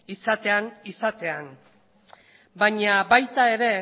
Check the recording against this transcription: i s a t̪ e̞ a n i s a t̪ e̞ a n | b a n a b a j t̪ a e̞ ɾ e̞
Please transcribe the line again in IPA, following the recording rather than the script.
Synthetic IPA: i s a t̪ e̞ a n i s a t̪ e̞ a n | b a ɲ a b a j t̪ a e̞ ɾ e̞

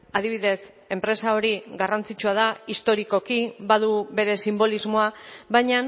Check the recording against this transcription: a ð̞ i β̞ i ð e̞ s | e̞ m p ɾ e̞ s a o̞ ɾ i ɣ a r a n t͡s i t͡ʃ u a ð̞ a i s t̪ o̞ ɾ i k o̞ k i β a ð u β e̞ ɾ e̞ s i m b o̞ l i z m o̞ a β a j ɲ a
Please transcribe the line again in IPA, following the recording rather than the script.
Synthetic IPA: a ð̞ i β̞ i ð e̞ s | e̞ m p ɾ e̞ s a o̞ ɾ i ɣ a r a n t͡s i t͡ʃ u a ð̞ a i s t̪ o̞ ɾ i k o̞ k i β a ð u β e̞ ɾ e̞ s i m b o̞ l i z m o̞ a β a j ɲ a

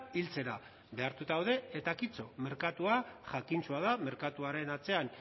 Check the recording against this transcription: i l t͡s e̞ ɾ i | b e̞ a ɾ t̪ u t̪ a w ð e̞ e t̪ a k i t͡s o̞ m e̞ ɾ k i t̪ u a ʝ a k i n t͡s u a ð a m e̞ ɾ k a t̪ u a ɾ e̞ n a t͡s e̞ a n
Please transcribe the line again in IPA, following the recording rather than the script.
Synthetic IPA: i l t͡s e̞ ɾ a | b e̞ a ɾ t̪ u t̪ a w ð e̞ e t̪ a k i t͡s o̞ m e̞ ɾ k a t̪ u a ʝ a k i n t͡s u a ð a m e̞ ɾ k a t̪ u a ɾ e̞ n a t͡s e̞ a n

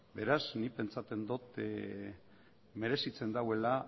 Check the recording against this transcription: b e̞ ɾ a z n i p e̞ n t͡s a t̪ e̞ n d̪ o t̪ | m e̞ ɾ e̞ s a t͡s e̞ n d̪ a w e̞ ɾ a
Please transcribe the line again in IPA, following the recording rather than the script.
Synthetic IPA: b e̞ ɾ a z n i p e̞ n t͡s a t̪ e̞ n d̪ o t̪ | m e̞ ɾ e̞ s i t͡s e̞ n d̪ a w e̞ l a

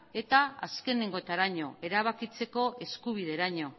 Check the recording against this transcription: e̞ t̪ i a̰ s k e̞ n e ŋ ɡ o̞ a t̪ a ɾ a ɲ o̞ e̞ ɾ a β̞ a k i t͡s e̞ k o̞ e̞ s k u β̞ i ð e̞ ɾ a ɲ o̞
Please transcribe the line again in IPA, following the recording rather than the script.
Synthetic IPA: e̞ t̪ a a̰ s k e̞ n e ŋ ɡ o̞ e t̪ a ɾ a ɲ o̞ e̞ ɾ a β̞ a k i t͡s e̞ k o̞ e̞ s k u β̞ i ð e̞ ɾ a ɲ o̞

